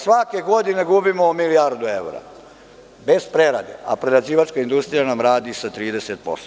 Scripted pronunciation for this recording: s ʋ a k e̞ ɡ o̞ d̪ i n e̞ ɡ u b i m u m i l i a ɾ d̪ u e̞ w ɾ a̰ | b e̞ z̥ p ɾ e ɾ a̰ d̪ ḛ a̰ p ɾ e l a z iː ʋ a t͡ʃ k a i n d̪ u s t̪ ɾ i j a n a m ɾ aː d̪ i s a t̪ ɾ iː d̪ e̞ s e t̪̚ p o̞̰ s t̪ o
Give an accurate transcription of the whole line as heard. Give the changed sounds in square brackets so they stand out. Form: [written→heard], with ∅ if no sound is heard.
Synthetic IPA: s ʋ a k e̞ ɡ o̞ d̪ i n e̞ ɡ u b i m [u→o] m i l i a ɾ d̪ u e̞ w ɾ a̰ | b e̞ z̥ p ɾ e ɾ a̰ d̪ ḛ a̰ p ɾ e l a z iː ʋ a t͡ʃ k a i n d̪ u s t̪ ɾ i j a n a m ɾ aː d̪ i s a t̪ ɾ iː d̪ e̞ s e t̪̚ p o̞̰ s t̪ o